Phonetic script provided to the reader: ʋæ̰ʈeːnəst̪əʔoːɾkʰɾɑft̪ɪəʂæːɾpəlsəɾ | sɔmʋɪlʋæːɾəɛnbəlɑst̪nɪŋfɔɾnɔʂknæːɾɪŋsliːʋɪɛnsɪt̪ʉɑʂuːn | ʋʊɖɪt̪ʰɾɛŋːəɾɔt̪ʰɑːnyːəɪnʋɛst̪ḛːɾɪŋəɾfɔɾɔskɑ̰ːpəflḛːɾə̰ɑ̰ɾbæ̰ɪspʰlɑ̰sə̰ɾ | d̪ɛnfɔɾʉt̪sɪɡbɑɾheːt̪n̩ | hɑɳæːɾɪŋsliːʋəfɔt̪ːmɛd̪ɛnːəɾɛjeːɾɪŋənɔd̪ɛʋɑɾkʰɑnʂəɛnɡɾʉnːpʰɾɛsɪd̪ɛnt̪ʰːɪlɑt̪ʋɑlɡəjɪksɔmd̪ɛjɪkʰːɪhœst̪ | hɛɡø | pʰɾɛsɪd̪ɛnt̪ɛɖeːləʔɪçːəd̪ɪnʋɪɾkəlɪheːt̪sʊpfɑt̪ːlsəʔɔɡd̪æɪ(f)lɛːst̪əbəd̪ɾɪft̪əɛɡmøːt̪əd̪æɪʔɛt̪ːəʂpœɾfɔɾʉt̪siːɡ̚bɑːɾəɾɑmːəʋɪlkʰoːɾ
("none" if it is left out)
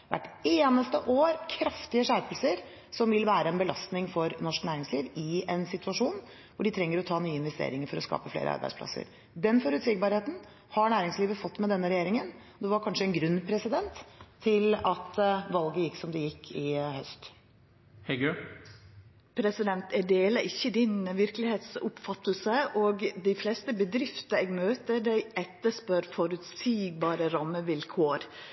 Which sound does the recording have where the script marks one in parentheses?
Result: f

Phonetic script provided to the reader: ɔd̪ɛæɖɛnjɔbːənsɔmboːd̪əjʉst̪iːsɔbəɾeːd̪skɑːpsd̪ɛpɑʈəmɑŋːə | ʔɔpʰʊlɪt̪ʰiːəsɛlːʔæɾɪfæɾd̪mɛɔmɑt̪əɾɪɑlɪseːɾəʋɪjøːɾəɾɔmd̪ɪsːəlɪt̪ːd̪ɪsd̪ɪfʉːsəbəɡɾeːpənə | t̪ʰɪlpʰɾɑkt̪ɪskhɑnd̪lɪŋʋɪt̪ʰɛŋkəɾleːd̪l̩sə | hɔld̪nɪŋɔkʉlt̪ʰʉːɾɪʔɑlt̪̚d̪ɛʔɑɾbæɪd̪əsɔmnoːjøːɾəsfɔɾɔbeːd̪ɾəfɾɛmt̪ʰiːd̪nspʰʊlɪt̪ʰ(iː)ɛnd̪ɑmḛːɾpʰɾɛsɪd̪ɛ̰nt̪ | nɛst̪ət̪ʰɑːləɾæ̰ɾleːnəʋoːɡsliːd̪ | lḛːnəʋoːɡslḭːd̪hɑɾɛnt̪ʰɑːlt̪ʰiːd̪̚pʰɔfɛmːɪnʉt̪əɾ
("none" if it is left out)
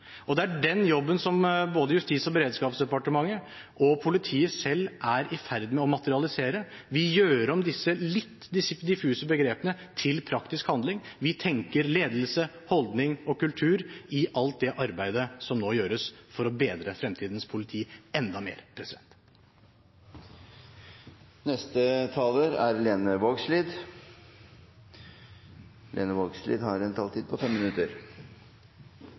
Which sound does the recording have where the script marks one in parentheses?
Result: iː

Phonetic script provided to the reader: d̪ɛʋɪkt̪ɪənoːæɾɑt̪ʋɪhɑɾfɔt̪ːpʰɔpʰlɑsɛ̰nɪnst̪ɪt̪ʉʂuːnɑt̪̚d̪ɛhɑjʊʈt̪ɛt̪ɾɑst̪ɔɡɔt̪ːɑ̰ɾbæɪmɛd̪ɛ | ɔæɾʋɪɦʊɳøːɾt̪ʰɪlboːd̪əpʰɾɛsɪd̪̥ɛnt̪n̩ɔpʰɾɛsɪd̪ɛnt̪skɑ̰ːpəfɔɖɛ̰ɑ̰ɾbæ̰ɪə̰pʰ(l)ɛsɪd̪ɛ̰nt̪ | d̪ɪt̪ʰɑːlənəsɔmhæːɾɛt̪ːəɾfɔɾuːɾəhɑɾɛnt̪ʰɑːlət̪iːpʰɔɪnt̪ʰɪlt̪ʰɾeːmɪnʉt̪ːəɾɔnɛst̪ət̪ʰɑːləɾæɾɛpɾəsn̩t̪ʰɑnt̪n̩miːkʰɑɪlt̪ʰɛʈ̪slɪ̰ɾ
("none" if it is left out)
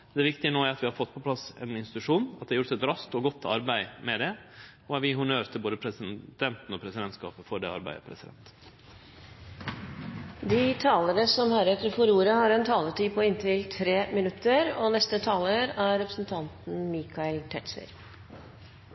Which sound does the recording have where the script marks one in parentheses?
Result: ɾ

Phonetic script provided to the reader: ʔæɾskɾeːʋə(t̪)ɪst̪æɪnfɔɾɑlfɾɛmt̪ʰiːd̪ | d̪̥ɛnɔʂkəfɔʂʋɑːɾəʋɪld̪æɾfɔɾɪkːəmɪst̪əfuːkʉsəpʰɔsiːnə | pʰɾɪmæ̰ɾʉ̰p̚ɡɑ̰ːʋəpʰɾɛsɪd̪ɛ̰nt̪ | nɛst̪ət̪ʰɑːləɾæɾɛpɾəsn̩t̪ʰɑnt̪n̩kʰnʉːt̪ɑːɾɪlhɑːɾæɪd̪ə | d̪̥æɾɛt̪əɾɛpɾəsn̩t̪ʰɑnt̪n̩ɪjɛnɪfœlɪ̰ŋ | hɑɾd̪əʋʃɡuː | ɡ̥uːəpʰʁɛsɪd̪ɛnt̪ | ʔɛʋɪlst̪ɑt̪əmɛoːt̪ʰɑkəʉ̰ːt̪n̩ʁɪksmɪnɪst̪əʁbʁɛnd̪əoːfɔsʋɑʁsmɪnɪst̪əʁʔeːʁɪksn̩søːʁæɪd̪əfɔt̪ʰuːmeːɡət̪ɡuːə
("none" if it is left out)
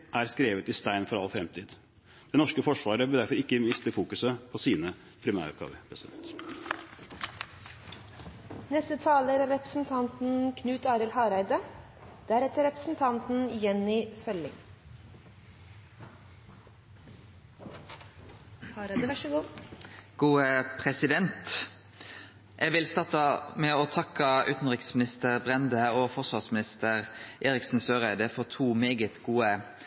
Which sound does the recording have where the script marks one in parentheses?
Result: t̪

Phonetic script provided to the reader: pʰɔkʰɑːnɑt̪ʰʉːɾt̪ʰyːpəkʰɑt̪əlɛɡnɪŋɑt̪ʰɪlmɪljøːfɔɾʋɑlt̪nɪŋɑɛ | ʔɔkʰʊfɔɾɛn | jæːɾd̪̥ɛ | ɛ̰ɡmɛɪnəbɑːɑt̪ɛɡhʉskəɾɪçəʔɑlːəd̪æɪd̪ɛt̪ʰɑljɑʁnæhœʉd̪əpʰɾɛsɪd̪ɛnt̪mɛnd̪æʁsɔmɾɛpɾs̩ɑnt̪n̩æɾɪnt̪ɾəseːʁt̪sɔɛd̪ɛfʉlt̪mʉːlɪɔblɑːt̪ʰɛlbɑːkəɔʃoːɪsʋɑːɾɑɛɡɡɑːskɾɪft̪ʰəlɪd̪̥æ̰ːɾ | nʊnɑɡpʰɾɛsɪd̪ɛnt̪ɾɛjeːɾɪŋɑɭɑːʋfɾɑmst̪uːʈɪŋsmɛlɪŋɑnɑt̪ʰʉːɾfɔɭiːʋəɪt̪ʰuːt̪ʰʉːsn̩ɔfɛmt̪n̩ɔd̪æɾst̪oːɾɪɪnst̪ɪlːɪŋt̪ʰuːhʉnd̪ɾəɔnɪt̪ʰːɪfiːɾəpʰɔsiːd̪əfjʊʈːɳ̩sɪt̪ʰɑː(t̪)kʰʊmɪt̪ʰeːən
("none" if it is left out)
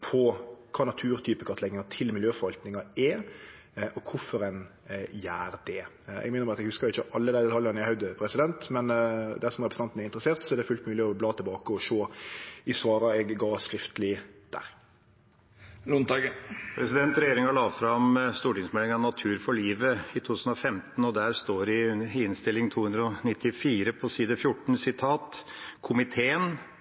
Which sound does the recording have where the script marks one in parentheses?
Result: t̪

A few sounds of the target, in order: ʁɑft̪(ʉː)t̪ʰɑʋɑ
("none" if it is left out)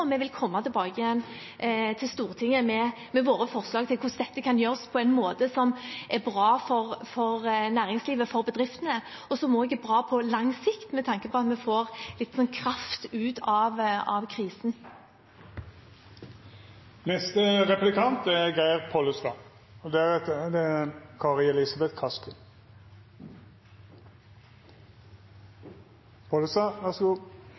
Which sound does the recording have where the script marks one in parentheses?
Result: ʉː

